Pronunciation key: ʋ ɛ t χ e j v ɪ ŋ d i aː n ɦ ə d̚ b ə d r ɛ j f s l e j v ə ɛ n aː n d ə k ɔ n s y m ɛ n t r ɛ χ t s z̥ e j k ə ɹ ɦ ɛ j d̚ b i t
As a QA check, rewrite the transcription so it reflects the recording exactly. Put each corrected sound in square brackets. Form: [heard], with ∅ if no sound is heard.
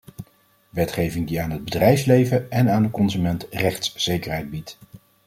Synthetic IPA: ʋ ɛ t χ e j v ɪ ŋ d i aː n ɦ ə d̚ b ə d r ɛ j f s l e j v ə ɛ n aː n d ə k ɔ n [z] y m ɛ n t r ɛ χ t s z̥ e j k ə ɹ ɦ ɛ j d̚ b i t